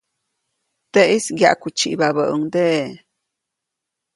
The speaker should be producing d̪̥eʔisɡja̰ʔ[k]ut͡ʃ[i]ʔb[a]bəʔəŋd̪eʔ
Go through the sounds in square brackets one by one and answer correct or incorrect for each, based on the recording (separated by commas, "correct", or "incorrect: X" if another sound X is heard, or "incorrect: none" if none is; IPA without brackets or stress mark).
correct, correct, correct